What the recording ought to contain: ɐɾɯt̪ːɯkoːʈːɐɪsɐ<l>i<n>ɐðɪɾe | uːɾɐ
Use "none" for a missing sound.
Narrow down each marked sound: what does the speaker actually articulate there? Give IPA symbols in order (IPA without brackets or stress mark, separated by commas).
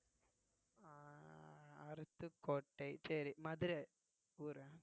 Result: ɾ, m